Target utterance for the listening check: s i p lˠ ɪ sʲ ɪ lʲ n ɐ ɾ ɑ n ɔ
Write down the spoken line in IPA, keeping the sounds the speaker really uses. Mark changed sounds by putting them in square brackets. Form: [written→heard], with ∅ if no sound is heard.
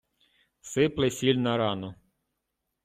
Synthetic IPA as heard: s [i→ɪ] p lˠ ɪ sʲ [ɪ→i] lʲ n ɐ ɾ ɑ n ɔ